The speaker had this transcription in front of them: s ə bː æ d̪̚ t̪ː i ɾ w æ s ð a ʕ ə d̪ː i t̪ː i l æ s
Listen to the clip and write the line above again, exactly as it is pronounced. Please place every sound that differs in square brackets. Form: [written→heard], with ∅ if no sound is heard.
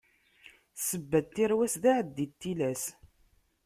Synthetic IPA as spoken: s ə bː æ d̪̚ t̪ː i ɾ w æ s ð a ʕ ə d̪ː i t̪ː i l æ s